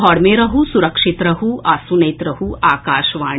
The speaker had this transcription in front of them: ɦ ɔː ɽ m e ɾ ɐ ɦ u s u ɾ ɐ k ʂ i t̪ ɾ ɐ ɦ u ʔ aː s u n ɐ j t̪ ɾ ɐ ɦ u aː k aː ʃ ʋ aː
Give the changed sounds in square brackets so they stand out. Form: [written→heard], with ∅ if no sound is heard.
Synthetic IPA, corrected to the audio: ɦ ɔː ɽ m e ɾ ɐ ɦ u s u ɾ ɐ k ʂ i t̪ ɾ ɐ ɦ u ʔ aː s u n ɐ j t̪ ɾ ɐ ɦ u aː k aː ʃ ʋ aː